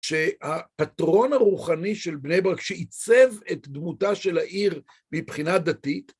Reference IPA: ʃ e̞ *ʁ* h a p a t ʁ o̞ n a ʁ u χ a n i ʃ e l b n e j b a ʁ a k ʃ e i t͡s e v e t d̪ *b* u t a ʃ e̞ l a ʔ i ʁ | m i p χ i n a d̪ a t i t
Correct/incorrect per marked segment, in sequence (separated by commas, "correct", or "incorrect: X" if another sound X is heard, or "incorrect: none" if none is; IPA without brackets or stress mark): incorrect: none, incorrect: m